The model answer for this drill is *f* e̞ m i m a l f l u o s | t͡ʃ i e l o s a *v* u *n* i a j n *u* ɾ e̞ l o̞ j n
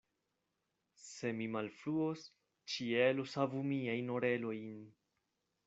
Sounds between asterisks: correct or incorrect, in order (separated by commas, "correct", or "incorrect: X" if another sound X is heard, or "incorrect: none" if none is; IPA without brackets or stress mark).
incorrect: s, correct, incorrect: m, incorrect: o